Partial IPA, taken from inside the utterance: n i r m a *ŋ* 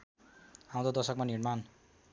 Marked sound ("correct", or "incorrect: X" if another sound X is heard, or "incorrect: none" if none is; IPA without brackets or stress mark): incorrect: n